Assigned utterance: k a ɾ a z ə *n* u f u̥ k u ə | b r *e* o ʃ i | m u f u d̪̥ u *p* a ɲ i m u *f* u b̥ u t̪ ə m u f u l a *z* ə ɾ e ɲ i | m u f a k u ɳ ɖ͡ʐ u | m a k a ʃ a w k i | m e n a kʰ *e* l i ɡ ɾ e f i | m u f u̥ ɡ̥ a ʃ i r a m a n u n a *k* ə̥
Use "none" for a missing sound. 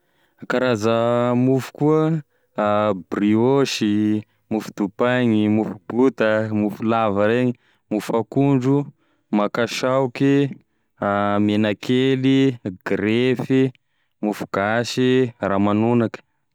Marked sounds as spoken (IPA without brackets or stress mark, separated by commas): m, i, p, f, v, e, k